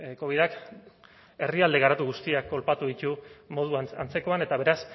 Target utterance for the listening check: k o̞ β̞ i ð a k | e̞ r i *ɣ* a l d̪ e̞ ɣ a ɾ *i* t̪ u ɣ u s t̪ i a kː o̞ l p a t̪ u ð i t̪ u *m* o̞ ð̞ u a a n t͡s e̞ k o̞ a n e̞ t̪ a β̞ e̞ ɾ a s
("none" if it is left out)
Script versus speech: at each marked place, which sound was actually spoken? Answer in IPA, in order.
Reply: none, a, m

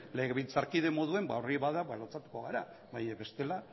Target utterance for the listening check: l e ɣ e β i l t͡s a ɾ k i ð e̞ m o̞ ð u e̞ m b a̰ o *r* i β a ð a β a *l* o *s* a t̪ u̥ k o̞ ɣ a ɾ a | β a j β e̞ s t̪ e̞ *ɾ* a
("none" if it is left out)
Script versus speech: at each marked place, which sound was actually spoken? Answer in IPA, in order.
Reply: r, l, t͡s, l

